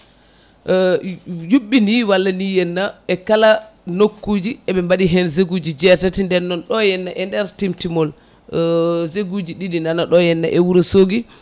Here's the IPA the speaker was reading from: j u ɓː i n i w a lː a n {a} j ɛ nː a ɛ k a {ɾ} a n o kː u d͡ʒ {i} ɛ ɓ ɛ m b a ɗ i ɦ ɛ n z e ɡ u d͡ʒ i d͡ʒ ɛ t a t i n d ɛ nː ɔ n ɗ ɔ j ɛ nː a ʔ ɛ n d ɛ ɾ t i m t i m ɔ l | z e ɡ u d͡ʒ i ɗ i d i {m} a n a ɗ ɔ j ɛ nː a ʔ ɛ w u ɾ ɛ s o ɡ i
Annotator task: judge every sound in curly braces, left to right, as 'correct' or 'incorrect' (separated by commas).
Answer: incorrect, incorrect, correct, incorrect